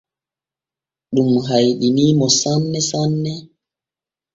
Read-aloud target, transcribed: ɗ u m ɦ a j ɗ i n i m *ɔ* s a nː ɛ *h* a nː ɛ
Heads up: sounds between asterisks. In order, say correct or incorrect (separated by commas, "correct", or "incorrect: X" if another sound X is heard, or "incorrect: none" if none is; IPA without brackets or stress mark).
correct, incorrect: s